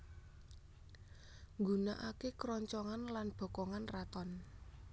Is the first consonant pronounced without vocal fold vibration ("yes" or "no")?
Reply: no